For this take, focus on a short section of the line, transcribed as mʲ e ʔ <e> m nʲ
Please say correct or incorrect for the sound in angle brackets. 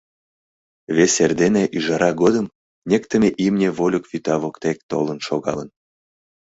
incorrect